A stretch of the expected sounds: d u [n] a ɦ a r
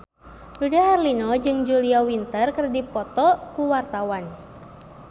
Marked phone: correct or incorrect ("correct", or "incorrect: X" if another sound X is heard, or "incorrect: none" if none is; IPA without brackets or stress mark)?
incorrect: d